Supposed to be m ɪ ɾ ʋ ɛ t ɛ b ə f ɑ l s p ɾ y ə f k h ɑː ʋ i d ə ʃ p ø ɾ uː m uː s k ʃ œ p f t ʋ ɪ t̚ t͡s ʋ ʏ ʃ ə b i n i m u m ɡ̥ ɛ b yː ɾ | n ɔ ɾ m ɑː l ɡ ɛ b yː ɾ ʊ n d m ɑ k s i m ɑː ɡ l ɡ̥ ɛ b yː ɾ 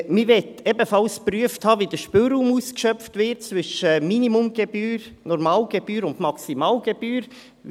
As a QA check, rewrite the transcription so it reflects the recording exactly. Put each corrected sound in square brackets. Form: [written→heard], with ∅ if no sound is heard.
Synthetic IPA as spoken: m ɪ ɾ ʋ ɛ t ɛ b ə f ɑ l s p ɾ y ə f [k→t] h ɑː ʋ i d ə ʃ p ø ɾ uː m uː s k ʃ œ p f t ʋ ɪ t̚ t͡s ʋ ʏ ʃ ə [b→m] i n i m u m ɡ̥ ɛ b yː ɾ | n ɔ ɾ m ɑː l ɡ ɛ b yː ɾ ʊ n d m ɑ k s i m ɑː [ɡ→∅] l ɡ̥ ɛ b yː ɾ